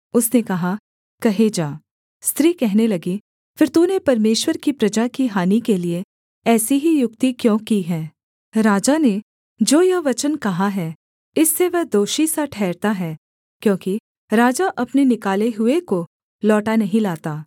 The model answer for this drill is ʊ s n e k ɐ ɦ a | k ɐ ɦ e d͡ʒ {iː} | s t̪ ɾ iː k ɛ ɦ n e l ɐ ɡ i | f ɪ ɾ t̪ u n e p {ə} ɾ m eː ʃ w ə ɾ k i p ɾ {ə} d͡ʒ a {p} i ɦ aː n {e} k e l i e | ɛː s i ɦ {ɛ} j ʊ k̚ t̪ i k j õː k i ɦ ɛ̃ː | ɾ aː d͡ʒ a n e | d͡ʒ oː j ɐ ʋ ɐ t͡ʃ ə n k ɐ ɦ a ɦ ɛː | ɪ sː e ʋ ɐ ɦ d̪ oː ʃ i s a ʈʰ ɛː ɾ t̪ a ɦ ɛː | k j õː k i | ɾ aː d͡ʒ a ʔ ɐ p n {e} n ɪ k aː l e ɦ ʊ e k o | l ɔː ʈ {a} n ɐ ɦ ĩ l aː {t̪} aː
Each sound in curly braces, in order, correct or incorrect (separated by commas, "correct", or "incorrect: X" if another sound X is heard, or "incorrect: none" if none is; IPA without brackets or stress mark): incorrect: aː, incorrect: ɐ, incorrect: ɐ, incorrect: k, incorrect: i, incorrect: i, correct, correct, correct